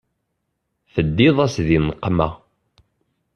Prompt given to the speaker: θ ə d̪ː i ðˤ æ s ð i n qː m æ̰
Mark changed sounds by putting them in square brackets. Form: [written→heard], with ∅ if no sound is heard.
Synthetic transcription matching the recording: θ ə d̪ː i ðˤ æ s ð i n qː m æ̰